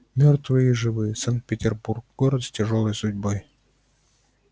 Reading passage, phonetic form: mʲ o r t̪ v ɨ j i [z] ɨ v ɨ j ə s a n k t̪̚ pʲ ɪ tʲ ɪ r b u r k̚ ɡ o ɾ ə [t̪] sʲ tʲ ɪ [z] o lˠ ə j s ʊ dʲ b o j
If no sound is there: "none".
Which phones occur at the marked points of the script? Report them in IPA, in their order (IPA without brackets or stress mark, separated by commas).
ʐ, t̪, ʐ